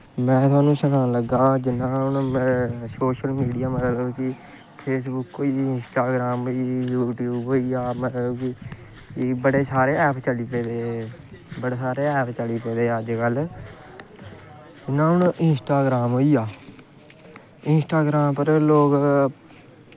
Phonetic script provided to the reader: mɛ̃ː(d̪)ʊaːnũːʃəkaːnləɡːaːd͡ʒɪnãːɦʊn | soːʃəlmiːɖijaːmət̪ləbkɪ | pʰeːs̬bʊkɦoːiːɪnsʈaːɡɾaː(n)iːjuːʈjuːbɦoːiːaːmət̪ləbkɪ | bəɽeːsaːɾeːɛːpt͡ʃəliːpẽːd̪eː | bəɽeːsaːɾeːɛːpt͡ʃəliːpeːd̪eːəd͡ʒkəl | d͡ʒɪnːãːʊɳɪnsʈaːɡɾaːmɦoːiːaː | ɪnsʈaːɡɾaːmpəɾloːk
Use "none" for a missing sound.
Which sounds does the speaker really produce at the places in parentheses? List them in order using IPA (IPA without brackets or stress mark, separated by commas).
t̪, m